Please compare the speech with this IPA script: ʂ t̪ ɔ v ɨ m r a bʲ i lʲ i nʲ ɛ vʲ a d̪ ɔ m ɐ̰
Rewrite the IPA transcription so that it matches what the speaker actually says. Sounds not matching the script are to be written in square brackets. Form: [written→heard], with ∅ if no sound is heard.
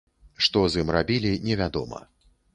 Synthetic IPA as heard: ʂ t̪ ɔ [v→z] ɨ m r a bʲ i lʲ i nʲ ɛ vʲ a d̪ ɔ m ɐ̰